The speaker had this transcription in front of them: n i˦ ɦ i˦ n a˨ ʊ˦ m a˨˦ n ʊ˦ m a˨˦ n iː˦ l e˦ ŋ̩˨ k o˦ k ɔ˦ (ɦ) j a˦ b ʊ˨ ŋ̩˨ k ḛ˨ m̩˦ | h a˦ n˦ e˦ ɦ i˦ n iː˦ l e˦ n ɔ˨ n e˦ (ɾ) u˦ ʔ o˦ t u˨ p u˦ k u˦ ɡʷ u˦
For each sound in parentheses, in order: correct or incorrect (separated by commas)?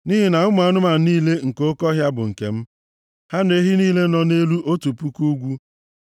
correct, incorrect